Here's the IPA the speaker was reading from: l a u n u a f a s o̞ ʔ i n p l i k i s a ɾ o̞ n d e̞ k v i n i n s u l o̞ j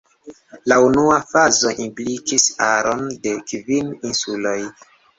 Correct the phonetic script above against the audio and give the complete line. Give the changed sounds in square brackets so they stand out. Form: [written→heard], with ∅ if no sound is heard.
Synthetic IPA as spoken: l a u n u a f a [s→z] o̞ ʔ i [n→m] p l i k i s a ɾ o̞ n d e̞ k v i n i n s u l o̞ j